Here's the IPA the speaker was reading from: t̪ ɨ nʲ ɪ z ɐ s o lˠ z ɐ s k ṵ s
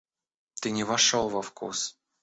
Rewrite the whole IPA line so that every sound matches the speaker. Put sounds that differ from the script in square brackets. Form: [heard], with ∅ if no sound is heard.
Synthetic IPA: t̪ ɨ nʲ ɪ [v] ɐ [ʂ] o lˠ [v] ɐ [f] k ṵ s